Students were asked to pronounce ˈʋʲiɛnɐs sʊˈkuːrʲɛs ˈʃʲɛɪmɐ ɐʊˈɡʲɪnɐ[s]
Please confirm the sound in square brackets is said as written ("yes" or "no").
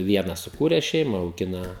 no